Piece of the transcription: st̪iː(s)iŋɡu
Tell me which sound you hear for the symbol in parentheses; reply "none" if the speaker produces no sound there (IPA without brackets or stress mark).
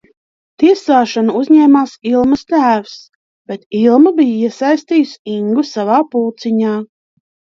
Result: s